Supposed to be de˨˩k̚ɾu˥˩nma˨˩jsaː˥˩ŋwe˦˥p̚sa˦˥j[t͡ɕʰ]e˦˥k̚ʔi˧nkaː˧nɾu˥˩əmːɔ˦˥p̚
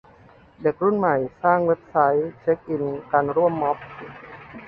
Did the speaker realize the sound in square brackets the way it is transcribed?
yes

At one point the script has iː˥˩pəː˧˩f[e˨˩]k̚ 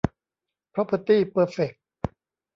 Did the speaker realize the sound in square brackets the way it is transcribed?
yes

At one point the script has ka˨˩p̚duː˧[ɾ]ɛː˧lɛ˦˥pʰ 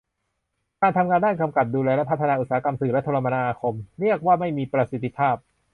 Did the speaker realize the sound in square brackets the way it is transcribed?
no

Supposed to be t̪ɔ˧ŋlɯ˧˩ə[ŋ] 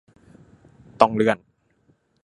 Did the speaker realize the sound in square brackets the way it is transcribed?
no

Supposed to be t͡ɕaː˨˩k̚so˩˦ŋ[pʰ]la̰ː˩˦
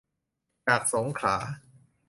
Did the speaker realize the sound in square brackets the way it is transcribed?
no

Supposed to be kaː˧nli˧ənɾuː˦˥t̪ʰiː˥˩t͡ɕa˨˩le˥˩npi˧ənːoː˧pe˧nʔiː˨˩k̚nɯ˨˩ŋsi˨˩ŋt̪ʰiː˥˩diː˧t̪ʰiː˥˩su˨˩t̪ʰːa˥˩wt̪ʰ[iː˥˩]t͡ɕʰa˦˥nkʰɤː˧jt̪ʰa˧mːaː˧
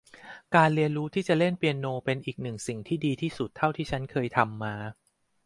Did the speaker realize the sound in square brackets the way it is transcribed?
yes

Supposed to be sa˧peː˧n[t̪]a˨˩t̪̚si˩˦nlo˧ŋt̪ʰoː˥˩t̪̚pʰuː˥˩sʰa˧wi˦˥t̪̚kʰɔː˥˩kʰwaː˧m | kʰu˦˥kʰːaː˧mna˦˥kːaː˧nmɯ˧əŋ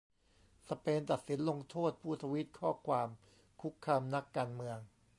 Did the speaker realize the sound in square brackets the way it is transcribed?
yes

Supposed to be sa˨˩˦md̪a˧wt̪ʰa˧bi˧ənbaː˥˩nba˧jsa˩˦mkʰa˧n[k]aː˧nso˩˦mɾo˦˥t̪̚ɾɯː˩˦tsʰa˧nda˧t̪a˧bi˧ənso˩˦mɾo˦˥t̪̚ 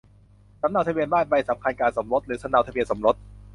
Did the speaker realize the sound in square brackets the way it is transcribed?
yes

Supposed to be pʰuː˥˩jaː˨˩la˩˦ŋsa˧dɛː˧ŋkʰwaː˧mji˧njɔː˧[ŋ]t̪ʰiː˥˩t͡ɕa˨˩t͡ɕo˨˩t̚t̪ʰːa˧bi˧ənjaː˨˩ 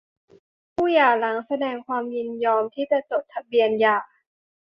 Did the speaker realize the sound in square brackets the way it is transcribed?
no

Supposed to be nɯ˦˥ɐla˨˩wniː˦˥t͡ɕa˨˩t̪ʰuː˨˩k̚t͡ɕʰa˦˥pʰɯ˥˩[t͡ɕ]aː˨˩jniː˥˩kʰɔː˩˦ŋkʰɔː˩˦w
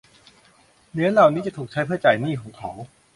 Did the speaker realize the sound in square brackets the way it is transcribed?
yes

